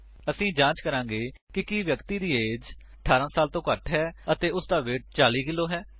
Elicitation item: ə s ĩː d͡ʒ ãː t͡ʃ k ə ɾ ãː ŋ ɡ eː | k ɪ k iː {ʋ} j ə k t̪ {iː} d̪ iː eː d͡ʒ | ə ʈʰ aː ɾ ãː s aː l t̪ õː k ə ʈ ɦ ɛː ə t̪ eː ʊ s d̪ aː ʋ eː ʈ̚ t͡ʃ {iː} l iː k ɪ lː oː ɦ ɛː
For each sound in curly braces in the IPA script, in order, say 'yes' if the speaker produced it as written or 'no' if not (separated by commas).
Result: yes, yes, no